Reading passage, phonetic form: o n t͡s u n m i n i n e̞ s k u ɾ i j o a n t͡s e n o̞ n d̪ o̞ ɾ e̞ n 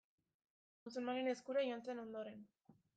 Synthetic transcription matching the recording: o n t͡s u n m a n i n e̞ s k u ɾ a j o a n t͡s e n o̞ n d̪ o̞ ɾ e̞ n